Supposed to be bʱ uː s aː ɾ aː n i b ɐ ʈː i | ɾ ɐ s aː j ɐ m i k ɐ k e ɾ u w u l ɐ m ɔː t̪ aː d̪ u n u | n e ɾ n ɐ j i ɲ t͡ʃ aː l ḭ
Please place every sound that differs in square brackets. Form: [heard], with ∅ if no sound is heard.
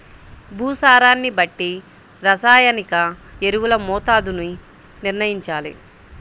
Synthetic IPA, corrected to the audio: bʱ uː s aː ɾ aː [nː] i b ɐ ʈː i | ɾ ɐ s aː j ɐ [n] i k ɐ [∅] e ɾ u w u l ɐ m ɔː t̪ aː d̪ u n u | n [i] ɾ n ɐ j i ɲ t͡ʃ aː l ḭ